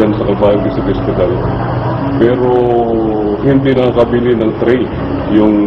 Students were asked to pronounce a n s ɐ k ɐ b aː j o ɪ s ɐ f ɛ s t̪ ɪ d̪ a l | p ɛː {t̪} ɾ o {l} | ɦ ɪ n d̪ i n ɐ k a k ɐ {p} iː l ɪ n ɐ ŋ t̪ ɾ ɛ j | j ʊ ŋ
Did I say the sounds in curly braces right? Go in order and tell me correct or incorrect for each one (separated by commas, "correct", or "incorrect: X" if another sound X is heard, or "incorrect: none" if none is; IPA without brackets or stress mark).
incorrect: none, incorrect: none, incorrect: b